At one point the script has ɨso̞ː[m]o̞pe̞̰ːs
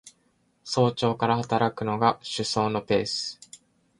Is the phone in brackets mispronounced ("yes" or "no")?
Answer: yes